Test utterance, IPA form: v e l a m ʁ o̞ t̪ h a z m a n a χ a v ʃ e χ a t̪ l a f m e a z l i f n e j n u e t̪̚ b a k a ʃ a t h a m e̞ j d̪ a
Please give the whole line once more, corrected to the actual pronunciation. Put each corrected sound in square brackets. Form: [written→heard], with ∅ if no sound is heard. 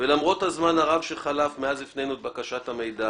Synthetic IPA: v e l a m ʁ o̞ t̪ h a z m a n a [χ→ʁ] a v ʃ e χ a [t̪→∅] l a f m e a z l i f n e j n u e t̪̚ b a k a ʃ a t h a m e̞ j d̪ a